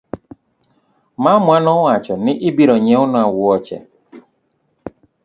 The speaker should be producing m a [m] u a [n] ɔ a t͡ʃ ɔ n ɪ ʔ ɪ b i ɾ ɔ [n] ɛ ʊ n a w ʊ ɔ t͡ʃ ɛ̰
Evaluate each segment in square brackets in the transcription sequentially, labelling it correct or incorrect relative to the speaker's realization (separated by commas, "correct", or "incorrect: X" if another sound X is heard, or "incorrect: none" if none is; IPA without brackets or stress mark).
correct, correct, incorrect: ɲ